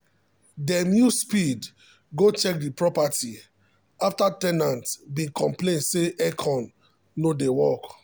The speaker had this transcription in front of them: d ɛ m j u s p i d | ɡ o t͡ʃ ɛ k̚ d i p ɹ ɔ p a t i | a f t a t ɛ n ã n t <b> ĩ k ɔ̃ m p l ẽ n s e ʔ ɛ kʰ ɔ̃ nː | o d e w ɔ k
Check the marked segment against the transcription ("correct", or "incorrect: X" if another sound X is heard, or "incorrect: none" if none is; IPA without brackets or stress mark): correct